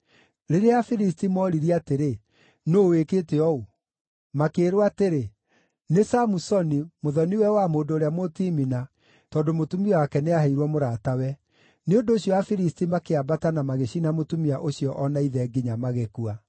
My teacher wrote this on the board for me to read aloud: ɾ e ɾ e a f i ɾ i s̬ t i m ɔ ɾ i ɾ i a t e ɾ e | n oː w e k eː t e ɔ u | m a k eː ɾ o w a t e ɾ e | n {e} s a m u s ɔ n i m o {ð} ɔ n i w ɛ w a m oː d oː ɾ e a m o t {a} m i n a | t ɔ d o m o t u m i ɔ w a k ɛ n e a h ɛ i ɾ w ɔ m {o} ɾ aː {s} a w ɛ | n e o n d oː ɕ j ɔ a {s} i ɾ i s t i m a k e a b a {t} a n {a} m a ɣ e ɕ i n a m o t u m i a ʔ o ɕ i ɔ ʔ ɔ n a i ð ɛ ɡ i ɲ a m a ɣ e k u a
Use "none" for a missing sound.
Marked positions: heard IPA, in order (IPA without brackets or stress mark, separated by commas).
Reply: e, ð, i, o, t, f, t, a